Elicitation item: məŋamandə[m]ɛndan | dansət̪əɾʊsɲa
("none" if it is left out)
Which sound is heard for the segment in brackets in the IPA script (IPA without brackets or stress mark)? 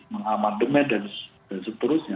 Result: m